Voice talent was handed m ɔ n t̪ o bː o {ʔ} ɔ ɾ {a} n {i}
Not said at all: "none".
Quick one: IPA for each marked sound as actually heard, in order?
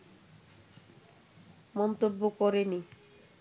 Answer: k, e, i

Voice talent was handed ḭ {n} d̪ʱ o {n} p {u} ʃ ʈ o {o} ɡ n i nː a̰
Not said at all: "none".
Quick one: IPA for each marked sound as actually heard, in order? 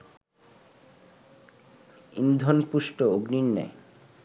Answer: n, n, u, o

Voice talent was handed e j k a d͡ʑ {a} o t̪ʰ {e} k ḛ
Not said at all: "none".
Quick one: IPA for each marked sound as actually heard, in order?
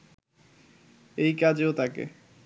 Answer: e, a

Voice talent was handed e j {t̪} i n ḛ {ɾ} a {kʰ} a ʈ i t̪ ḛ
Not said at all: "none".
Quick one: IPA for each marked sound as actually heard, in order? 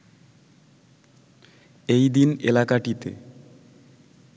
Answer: d̪, l, k

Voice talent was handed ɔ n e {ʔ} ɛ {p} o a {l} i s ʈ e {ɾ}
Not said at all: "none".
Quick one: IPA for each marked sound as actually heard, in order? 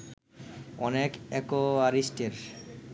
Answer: k, k, ɾ, ɾ

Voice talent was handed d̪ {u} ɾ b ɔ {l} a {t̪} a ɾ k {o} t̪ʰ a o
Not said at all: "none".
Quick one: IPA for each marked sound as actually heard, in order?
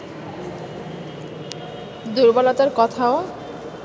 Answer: u, l, t̪, ɔ

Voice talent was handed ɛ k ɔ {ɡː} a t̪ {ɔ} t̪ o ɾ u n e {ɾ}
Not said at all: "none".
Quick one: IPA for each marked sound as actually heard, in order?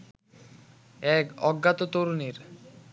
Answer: ɡː, o, ɾ

